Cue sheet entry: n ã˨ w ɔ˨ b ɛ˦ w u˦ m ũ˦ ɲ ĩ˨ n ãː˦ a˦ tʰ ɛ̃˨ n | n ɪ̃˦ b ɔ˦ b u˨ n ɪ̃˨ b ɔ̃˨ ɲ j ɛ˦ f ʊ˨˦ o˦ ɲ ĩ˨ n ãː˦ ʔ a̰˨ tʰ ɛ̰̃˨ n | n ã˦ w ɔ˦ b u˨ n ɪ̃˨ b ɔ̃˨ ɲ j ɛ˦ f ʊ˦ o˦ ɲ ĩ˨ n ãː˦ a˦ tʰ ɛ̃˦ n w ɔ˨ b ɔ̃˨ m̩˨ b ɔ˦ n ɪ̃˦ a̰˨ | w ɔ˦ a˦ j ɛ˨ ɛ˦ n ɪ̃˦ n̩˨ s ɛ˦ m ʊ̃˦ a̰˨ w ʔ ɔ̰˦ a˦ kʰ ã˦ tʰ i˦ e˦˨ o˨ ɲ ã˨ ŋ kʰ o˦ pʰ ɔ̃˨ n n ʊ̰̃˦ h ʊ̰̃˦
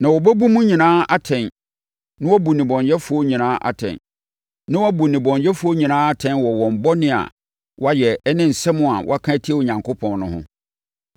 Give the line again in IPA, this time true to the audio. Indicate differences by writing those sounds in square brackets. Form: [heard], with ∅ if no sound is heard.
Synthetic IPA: n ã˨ w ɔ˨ b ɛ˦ [b] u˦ m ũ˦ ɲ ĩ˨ n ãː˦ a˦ tʰ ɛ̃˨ n | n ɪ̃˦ [w] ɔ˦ b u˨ n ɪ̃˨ b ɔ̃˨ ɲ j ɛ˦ f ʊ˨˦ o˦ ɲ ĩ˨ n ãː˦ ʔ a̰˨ tʰ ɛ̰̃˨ n | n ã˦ w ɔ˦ b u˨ n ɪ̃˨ b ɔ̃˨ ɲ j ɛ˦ f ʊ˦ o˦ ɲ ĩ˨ n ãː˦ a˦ tʰ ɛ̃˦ n w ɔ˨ [w] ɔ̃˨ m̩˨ b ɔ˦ n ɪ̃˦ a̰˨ | w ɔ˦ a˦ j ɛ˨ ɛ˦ n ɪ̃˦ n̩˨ s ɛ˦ m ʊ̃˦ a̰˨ w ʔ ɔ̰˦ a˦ kʰ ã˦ tʰ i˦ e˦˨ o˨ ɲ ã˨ ŋ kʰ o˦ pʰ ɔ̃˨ n n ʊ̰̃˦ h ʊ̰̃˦